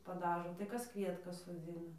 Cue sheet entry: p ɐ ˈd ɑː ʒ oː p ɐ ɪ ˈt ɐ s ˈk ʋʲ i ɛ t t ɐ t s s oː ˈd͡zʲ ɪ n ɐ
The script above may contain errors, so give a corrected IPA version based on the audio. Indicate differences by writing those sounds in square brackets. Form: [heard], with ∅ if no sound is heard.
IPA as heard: p ɐ ˈd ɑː ʒ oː [t] ɐ ɪ [ˈk] ɐ s ˈk ʋʲ i ɛ t [k] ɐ [∅] s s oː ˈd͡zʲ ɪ n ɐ